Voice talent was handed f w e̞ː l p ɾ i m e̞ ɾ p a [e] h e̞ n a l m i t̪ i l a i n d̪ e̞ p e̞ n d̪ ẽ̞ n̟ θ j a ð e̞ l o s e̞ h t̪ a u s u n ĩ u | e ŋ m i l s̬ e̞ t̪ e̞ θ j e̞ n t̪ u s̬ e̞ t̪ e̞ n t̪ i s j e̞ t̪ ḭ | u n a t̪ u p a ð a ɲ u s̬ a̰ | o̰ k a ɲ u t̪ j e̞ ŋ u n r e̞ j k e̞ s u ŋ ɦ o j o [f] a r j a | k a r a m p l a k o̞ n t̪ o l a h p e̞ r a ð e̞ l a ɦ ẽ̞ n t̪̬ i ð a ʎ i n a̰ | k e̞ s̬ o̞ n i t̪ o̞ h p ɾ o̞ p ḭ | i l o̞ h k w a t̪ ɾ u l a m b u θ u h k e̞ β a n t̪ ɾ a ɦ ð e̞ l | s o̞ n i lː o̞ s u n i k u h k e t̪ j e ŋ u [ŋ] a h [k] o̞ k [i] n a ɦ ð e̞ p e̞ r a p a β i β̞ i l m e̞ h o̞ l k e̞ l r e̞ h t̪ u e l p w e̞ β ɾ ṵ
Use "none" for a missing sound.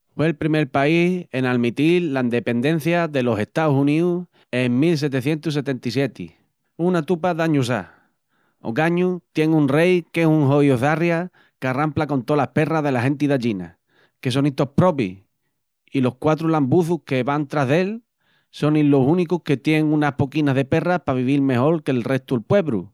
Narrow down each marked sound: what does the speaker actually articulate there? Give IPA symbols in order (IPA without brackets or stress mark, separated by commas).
i, θ, n, p, i